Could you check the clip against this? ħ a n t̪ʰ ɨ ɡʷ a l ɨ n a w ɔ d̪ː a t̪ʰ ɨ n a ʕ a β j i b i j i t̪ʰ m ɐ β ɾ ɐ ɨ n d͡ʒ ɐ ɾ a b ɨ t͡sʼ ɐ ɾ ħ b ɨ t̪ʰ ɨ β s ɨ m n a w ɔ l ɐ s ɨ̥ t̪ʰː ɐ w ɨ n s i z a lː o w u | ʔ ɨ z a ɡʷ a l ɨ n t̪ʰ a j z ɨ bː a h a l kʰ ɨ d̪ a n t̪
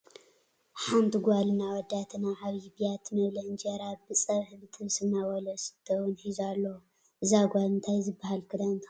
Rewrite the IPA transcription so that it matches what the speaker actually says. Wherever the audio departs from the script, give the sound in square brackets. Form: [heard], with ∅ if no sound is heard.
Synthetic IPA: ħ a n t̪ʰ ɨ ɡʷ a l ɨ n a w ɔ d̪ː a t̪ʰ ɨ n a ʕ a β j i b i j [a] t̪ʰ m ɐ β [l] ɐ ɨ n d͡ʒ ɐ ɾ a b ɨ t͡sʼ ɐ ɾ ħ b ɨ t̪ʰ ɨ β s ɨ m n a w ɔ l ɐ s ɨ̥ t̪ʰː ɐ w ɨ n [ħ] i z a lː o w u | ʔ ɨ z a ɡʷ a l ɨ n t̪ʰ a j z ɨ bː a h a l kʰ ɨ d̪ a n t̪